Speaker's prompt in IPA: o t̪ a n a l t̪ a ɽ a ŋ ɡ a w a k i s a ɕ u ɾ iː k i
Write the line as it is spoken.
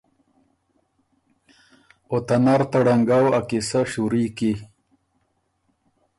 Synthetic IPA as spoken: o t̪ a n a ɾ t̪ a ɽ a ŋ ɡ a w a k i s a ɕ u ɾ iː k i